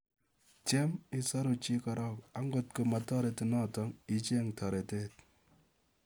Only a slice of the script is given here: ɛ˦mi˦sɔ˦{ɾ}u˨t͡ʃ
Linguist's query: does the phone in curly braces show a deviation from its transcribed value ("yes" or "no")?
no